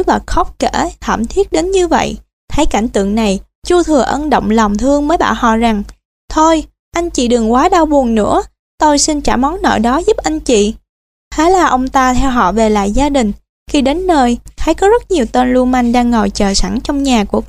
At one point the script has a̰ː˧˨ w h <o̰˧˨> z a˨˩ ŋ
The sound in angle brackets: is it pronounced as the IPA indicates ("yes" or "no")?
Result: no